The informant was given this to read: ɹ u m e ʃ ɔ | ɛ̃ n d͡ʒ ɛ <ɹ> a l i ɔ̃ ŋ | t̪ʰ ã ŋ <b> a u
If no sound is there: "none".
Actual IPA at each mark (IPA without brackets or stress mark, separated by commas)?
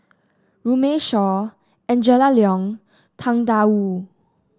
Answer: l, d